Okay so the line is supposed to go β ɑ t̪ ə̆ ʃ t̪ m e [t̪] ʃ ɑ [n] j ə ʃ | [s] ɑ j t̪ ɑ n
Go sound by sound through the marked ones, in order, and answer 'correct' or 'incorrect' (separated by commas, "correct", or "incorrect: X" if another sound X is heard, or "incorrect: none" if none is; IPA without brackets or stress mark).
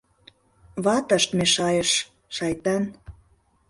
incorrect: none, incorrect: none, incorrect: ʃ